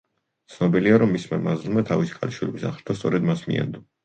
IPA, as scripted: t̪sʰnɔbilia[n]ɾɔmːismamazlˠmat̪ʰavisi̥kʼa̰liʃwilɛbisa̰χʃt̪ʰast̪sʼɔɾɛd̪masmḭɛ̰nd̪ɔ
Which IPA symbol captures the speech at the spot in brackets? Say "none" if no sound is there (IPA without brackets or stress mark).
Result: none